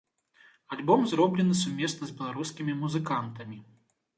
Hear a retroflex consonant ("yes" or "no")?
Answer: no